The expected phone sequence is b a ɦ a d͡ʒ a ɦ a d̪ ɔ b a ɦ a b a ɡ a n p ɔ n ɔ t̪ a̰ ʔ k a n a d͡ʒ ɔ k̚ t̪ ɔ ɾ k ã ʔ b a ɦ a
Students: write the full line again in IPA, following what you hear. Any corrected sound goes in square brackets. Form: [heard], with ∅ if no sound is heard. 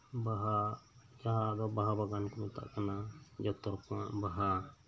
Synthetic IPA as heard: b a ɦ a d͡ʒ a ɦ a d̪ ɔ b a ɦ a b a ɡ a n [k] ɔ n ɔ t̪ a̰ ʔ k a n a d͡ʒ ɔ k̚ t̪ ɔ ɾ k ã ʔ b a ɦ a